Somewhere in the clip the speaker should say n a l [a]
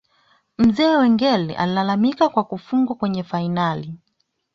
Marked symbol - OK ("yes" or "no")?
no